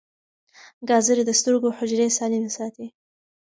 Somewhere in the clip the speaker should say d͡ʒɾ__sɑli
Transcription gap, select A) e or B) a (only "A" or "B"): A